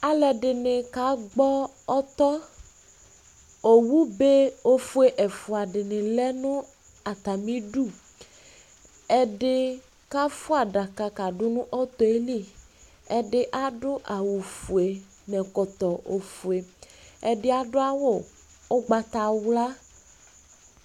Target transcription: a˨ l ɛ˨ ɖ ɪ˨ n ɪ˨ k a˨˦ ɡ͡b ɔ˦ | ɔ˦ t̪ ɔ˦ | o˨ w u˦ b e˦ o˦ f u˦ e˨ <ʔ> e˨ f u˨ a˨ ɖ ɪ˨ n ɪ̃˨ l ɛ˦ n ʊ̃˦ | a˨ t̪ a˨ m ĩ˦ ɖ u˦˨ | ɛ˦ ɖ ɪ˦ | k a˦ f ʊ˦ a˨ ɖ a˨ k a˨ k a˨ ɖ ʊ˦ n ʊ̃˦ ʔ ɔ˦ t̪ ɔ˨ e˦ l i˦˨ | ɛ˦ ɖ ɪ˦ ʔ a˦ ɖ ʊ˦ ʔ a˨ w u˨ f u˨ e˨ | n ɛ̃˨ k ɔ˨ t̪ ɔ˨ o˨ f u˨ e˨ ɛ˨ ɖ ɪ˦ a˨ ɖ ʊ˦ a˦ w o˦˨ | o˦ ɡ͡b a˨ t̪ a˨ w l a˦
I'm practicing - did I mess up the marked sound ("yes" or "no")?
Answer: no